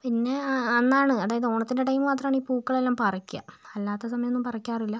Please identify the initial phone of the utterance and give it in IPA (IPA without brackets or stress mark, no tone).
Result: p